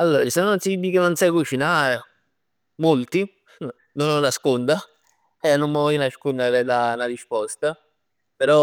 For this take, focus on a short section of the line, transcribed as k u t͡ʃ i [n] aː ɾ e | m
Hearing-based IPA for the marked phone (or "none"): n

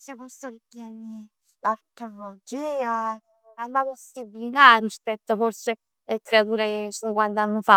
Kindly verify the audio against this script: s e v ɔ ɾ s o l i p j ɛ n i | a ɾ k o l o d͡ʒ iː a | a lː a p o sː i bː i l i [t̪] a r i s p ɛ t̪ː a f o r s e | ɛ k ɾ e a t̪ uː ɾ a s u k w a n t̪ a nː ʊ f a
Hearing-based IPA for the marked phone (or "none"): t̪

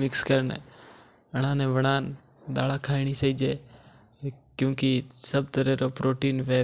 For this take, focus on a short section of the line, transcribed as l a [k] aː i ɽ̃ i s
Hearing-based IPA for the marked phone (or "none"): kʰ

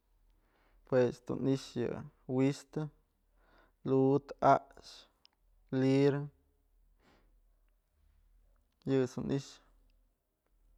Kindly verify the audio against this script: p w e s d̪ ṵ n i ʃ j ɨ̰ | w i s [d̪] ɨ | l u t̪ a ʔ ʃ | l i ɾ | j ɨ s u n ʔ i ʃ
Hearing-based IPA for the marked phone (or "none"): t̪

